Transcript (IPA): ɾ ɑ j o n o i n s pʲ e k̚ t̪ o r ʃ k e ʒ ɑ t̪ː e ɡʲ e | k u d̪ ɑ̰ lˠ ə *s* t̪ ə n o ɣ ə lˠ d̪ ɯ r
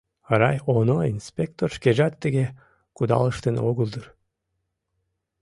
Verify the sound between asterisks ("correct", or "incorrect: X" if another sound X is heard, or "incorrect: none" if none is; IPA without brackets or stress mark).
incorrect: ʃ